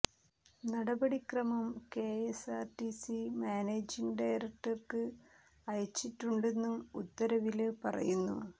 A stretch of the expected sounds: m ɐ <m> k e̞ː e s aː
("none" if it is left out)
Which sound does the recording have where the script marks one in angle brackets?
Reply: m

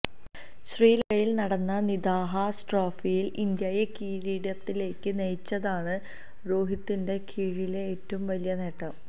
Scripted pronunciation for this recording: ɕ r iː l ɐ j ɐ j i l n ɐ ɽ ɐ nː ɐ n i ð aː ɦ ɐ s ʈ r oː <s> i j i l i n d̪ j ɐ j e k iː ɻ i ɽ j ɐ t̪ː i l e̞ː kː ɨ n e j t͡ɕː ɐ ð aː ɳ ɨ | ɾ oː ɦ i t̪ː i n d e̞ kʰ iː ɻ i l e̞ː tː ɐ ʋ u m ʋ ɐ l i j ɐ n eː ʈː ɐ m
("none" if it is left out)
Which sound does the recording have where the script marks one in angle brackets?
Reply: f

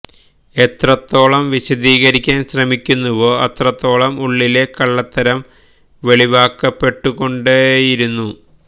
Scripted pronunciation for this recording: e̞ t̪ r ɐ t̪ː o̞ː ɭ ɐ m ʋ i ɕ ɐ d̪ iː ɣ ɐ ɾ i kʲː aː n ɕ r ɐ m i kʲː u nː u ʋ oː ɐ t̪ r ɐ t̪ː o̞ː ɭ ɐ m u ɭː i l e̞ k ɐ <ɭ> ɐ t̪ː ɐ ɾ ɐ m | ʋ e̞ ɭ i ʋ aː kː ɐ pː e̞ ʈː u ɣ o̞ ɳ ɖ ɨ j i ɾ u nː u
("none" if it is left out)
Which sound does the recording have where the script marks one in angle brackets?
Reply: ɭː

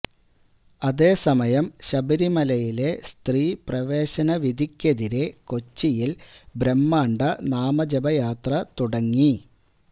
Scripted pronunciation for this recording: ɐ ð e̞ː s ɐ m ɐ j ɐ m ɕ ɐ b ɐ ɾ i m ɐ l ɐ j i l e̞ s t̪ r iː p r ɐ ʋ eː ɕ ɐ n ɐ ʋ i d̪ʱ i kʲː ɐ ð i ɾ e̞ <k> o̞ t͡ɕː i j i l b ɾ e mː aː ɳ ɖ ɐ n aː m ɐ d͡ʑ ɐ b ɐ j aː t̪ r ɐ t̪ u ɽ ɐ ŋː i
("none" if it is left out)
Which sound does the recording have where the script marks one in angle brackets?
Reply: k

